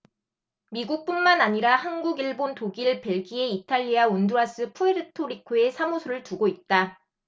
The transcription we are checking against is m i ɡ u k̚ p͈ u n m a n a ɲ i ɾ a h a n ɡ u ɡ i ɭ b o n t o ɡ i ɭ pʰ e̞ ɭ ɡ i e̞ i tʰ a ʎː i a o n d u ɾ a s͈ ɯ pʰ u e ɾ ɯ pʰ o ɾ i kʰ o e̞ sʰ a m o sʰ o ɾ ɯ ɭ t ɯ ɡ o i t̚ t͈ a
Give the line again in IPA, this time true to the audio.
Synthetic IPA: m i ɡ u k̚ p͈ u n m a n a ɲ i ɾ a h a n ɡ u ɡ i ɭ b o n t o ɡ i ɭ p e̞ ɭ ɡ i e̞ i tʰ a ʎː i a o n d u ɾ a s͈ ɯ pʰ u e ɾ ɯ tʰ o ɾ i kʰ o e̞ sʰ a m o sʰ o ɾ ɯ ɭ t u ɡ o i t̚ t͈ a

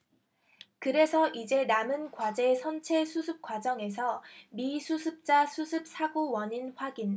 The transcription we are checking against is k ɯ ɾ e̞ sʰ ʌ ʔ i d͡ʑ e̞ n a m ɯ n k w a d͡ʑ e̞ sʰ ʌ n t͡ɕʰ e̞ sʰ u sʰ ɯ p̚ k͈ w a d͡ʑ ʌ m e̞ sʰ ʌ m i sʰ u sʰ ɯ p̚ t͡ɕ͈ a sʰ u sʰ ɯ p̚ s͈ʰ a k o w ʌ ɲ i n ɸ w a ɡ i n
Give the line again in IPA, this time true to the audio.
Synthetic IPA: k ɯ ɾ e̞ sʰ ʌ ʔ i d͡ʑ e̞ n a m ɯ n k w a d͡ʑ e̞ sʰ ʌ n t͡ɕʰ e̞ sʰ u sʰ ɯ p̚ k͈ w a d͡ʑ ʌ ŋ e̞ sʰ ʌ m i sʰ u sʰ ɯ p̚ t͡ɕ͈ a sʰ u sʰ ɯ p̚ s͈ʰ a ɡ o w ʌ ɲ i n ɸ w a ɡ i n

